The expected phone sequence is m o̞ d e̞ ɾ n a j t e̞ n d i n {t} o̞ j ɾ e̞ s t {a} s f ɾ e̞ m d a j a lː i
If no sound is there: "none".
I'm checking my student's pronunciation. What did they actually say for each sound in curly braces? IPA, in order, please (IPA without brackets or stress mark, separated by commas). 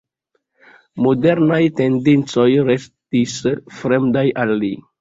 t͡s, i